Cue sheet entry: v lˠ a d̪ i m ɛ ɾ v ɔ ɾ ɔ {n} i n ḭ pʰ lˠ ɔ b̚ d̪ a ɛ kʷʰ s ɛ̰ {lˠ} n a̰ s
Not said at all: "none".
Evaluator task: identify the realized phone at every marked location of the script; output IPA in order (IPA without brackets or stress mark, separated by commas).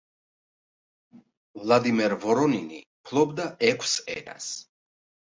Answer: n, none